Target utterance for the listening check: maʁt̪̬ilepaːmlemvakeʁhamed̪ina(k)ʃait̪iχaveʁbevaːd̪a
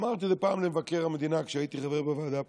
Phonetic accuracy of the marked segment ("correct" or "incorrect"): correct